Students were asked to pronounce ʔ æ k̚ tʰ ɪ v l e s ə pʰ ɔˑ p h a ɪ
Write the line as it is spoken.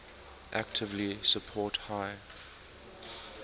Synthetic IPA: ʔ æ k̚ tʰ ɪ v l i s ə pʰ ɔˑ t h a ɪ